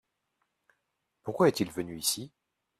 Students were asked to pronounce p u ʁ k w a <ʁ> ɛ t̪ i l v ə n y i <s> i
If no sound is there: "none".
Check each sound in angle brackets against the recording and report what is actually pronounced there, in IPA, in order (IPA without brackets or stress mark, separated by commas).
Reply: none, s